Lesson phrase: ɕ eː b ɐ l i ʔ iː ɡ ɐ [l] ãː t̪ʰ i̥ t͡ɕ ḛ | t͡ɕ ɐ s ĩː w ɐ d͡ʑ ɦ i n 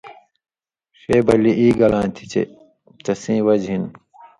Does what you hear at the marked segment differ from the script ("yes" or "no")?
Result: no